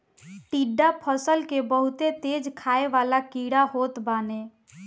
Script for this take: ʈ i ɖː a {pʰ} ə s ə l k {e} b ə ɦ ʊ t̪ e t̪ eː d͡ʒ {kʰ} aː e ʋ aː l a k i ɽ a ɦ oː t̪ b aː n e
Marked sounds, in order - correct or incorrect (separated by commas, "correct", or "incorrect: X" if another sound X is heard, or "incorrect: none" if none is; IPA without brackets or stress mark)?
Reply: correct, correct, correct